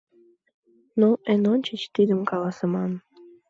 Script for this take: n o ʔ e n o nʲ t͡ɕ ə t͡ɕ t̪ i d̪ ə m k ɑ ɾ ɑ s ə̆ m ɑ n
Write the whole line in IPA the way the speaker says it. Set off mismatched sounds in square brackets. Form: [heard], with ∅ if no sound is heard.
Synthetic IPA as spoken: n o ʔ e n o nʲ t͡ɕ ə t͡ɕ t̪ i d̪ ə m k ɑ [l] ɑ s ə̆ m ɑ n